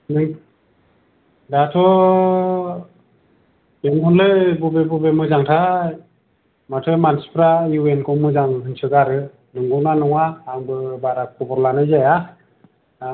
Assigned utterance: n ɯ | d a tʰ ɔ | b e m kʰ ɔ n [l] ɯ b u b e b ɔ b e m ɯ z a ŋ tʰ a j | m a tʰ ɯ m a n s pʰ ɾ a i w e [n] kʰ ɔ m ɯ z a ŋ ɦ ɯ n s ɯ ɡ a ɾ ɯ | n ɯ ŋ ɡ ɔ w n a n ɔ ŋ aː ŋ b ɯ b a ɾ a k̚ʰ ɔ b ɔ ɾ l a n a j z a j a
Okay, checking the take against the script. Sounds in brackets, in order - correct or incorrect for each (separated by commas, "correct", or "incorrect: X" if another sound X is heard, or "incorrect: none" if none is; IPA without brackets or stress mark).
correct, correct